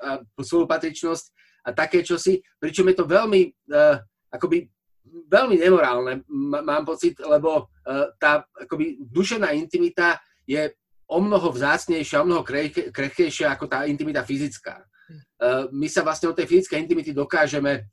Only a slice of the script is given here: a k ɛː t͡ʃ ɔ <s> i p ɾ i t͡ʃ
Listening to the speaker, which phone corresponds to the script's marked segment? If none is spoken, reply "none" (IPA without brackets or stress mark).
s